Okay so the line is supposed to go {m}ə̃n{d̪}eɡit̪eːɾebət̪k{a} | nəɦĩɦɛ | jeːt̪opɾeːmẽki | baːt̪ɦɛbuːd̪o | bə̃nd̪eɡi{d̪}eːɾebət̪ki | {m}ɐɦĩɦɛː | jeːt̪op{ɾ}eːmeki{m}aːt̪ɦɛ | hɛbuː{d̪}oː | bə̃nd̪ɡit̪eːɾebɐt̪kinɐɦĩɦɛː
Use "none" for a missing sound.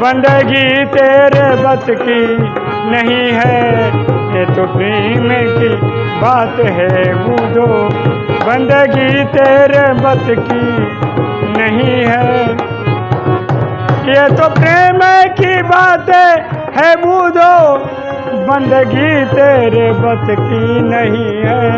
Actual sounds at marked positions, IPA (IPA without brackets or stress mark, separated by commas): b, d̪, i, t̪, n, ɾ, b, d̪